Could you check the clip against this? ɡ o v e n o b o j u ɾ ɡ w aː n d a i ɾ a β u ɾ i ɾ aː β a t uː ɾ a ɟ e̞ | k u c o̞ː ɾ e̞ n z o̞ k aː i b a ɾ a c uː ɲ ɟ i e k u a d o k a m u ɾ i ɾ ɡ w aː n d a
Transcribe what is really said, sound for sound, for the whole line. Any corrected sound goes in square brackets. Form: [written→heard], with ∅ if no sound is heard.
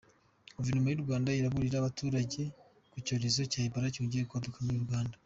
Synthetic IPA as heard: ɡ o v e n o [b→m] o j u ɾ ɡ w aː n d a i ɾ a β u ɾ i ɾ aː β a t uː ɾ a ɟ e̞ | k u c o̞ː ɾ e̞ [n→∅] z o̞ [k→c] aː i b a ɾ a c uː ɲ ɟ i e k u a d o k a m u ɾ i ɾ ɡ w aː n d a